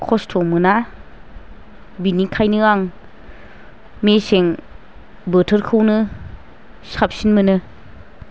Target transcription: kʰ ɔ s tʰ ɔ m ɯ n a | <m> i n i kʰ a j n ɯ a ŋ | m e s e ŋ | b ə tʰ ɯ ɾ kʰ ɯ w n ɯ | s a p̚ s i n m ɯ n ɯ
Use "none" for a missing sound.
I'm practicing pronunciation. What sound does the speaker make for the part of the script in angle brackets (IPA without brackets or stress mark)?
b